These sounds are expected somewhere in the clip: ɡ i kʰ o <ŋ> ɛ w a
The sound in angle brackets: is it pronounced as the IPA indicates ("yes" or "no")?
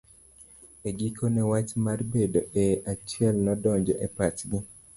no